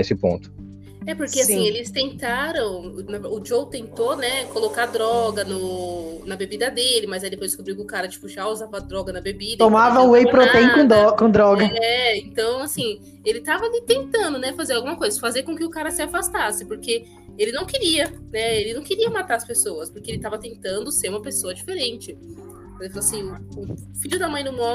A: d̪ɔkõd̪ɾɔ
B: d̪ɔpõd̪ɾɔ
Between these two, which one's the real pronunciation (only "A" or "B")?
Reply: A